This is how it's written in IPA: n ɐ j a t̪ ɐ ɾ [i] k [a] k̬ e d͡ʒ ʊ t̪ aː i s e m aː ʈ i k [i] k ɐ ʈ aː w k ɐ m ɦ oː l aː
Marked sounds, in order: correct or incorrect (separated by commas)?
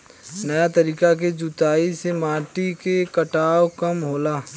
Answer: incorrect, correct, incorrect